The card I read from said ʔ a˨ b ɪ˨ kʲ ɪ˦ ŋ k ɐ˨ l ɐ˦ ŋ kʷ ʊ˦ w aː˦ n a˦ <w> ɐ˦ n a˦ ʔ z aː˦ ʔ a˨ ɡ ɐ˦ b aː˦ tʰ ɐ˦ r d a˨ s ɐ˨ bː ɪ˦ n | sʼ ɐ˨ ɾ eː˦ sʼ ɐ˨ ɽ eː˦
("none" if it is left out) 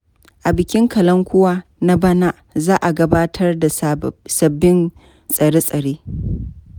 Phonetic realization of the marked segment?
b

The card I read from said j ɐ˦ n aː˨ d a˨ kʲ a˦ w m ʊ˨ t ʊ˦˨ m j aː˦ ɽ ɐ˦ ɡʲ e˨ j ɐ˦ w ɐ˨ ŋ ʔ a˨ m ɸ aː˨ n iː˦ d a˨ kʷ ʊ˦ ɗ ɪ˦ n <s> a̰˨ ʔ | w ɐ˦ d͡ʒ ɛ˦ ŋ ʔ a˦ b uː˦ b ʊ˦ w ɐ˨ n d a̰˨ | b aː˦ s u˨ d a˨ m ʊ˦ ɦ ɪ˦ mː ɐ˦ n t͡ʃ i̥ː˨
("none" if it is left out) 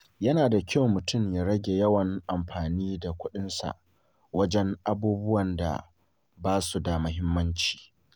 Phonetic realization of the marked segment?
s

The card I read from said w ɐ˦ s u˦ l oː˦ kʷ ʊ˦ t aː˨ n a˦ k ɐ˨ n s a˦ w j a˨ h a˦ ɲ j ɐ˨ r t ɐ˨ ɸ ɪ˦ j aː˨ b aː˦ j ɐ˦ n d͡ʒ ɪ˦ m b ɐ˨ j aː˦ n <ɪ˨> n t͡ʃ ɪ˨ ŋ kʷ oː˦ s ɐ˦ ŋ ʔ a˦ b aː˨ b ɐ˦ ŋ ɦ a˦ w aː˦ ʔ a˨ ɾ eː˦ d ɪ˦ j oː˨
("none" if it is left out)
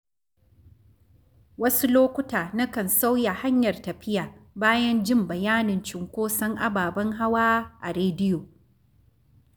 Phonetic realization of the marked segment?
ɪ˨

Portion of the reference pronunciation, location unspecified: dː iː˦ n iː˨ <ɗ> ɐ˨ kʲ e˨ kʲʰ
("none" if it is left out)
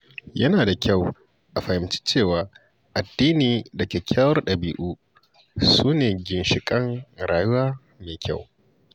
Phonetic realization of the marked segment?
d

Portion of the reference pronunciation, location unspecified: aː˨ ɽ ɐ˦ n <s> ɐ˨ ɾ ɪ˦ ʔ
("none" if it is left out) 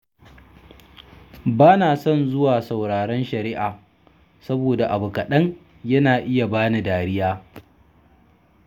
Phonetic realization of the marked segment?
ʃ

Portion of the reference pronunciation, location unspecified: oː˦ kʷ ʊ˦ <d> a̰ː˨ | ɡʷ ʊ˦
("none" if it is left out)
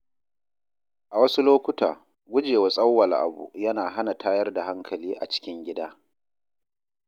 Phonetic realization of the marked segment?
t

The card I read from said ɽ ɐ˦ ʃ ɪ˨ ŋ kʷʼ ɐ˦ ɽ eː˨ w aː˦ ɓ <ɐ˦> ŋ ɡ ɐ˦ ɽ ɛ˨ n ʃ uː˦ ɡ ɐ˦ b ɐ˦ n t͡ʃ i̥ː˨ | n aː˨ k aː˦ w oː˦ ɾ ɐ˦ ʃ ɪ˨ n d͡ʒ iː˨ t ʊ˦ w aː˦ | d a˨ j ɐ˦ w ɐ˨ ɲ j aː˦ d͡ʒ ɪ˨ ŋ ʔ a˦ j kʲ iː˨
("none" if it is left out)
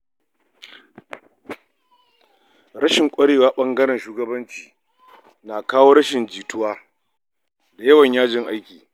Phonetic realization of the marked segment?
ɐ˦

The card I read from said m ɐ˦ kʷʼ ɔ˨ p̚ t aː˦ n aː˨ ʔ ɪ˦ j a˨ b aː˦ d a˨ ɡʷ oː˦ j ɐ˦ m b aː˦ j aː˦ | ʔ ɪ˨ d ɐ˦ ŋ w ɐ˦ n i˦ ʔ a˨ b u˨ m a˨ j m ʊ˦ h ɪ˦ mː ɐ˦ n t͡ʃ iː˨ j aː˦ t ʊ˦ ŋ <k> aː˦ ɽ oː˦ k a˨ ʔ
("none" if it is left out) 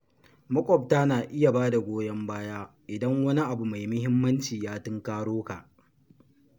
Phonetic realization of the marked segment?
k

